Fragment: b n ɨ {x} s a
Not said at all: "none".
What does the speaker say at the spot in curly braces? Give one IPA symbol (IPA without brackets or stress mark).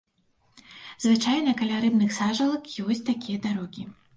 x